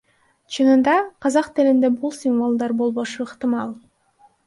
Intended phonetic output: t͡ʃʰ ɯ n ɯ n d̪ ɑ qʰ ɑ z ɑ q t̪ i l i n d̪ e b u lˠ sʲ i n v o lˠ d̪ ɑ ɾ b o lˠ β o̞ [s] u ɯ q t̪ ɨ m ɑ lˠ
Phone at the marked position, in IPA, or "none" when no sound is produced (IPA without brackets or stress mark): ʃ